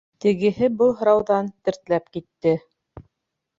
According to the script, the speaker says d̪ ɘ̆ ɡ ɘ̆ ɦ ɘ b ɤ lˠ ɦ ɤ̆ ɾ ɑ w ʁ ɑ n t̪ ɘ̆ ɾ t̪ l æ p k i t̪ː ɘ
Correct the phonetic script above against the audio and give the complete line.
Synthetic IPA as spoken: t̪ ɘ̆ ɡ ɘ̆ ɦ ɘ b ɤ lˠ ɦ ɤ̆ ɾ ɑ w ð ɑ n t̪ ɘ̆ ɾ t̪ l æ p k i t̪ː ɘ

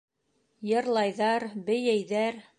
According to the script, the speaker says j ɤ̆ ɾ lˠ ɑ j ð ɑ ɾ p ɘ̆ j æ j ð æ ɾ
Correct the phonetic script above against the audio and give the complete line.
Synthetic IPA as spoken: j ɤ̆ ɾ lˠ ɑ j ð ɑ ɾ b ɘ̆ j æ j ð æ ɾ

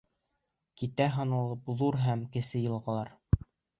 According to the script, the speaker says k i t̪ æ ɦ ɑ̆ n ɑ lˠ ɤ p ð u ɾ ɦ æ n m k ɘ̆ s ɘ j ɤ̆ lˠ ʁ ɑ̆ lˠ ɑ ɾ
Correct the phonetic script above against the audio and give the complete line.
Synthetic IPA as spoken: k i t̪ æ ɦ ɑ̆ n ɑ lˠ ɤ p ð u ɾ ɦ æ m k ɘ̆ s ɘ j ɤ̆ lˠ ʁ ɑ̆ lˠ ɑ ɾ

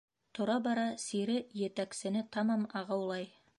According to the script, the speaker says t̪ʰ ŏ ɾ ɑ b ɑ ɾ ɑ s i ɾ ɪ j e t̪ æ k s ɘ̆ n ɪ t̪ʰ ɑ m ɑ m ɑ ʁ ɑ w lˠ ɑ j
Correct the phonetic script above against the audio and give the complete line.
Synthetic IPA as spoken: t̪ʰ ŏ ɾ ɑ b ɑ ɾ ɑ s i ɾ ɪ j e t̪ æ k s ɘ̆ n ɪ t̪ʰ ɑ m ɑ m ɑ ʁ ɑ w lˠ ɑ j

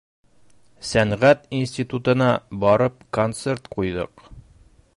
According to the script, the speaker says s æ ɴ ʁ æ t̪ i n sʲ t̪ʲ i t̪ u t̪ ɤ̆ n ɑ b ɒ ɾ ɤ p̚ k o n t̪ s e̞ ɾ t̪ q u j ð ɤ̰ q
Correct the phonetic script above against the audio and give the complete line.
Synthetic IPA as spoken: s æ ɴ ʁ æ t̪ i n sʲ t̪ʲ i t̪ u t̪ ɤ̆ n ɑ b ɒ ɾ ɤ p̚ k o n t̪ s e̞ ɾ t̪ q u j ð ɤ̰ q

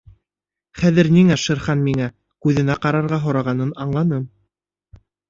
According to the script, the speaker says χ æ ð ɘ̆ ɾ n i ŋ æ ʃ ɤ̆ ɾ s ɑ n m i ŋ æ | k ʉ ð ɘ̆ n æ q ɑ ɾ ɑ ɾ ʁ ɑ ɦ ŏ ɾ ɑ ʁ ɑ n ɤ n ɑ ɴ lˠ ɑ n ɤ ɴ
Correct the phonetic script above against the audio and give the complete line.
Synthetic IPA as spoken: χ æ ð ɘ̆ ɾ n i ŋ æ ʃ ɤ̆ ɾ χ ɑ n m i ŋ æ | k ʉ ð ɘ̆ n æ q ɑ ɾ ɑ ɾ ʁ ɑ ɦ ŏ ɾ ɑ ʁ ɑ n ɤ n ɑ ɴ lˠ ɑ n ɤ m

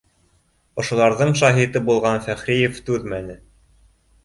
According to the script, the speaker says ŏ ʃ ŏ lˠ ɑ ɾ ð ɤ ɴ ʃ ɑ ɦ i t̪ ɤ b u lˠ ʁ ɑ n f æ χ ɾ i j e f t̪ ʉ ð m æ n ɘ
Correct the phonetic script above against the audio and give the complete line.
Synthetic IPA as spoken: ŏ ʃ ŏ lˠ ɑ ɾ ð ɤ ɴ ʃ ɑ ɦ i t̪ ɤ b u lˠ ʁ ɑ n f æ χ ɾ i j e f t̪ ʉ ð m æ n ɘ

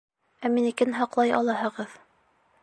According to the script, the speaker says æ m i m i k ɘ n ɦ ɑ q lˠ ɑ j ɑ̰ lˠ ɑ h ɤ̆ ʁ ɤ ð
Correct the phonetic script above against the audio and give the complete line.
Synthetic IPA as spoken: æ m i n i k ɘ n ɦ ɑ q lˠ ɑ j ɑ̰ lˠ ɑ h ɤ̆ ʁ ɤ ð

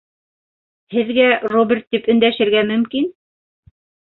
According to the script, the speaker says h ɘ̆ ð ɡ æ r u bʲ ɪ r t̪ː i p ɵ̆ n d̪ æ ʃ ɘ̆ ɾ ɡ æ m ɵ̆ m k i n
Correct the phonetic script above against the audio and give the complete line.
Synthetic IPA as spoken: h ɘ̆ ð ɡ æ r o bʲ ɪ r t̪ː i p ɵ̆ n d̪ æ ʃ ɘ̆ ɾ ɡ æ m ɵ̆ m k i n

